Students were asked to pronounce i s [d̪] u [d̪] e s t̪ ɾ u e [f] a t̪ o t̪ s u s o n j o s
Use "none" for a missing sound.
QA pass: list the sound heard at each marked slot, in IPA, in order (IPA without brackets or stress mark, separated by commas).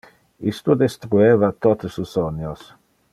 t̪, d̪, v